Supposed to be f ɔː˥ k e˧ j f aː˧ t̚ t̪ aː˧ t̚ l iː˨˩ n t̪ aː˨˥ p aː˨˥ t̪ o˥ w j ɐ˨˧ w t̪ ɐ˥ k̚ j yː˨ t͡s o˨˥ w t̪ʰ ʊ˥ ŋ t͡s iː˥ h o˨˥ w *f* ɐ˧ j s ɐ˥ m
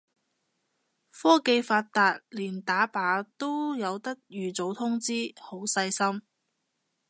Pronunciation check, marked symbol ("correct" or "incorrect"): incorrect